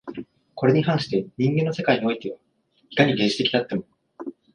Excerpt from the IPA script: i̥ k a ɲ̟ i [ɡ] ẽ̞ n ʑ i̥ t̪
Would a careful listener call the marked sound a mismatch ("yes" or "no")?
no